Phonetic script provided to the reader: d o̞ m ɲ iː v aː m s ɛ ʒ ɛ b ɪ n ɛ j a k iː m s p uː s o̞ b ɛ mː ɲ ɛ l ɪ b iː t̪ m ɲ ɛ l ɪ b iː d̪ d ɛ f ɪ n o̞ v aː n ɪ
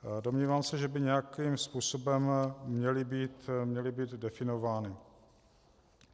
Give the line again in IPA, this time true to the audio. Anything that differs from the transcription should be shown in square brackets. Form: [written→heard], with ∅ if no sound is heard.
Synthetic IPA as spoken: d o̞ m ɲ iː v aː m s ɛ ʒ ɛ b ɪ [n→ɲ] ɛ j a k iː m s p uː s o̞ b ɛ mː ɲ ɛ l ɪ b iː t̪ m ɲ ɛ l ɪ b iː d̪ d ɛ f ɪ n o̞ v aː n ɪ